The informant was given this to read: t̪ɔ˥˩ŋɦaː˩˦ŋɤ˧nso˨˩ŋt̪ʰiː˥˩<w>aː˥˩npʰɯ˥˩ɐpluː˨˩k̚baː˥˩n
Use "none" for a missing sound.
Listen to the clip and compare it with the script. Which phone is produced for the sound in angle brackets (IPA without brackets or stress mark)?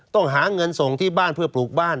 b